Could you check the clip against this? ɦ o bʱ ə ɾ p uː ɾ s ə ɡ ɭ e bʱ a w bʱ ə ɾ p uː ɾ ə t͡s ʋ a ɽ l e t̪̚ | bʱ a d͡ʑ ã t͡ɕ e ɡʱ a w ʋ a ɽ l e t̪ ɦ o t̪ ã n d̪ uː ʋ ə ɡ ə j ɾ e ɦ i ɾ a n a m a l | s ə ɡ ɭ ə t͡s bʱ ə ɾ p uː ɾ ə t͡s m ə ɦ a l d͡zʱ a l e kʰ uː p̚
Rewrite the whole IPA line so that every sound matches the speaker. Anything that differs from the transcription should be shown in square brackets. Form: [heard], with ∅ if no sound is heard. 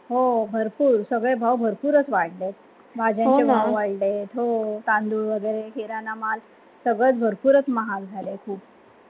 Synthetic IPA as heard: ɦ o bʱ ə ɾ p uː ɾ s ə ɡ ɭ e bʱ a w bʱ ə ɾ p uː ɾ ə t͡s ʋ a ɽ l e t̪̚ | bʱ a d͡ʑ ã t͡ɕ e [bʱ] a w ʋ a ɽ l e t̪ ɦ o t̪ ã n d̪ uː ʋ ə ɡ ə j ɾ e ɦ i ɾ a n a m a l | s ə ɡ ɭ ə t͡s bʱ ə ɾ p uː ɾ ə t͡s m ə ɦ a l d͡zʱ a l e kʰ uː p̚